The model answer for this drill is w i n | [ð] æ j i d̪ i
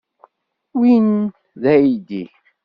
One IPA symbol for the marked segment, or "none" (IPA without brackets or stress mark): ð